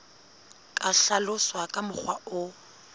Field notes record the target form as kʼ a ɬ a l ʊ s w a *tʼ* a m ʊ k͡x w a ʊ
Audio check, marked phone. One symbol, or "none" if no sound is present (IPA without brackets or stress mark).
kʼ